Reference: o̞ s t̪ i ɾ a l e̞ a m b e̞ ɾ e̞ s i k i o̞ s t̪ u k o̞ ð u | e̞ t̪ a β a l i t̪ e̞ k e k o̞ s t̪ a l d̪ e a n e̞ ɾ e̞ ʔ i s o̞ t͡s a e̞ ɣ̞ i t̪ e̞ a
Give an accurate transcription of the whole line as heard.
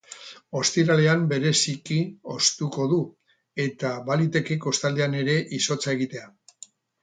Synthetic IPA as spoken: o̞ s t̪ i ɾ a l e̞ a m b e̞ ɾ e̞ s i k i o̞ s t̪ u k o̞ ð u | e̞ t̪ a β a l i t̪ e̞ k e k o̞ s t̪ a l d̪ e a n e̞ ɾ e̞ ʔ i s o̞ t͡s a e̞ ɣ̞ i t̪ e̞ a